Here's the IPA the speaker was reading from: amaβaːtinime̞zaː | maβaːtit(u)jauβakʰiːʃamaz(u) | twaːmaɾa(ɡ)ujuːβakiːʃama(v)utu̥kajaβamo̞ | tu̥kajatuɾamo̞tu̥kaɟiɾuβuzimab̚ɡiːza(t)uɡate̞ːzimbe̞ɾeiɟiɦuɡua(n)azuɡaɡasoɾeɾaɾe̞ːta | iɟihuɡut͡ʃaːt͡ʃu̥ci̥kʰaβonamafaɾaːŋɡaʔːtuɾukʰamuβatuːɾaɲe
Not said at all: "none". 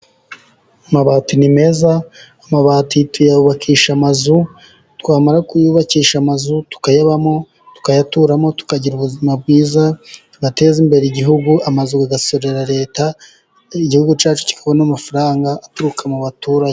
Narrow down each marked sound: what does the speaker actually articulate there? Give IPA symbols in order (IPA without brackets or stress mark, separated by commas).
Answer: u, u, k, z, t, m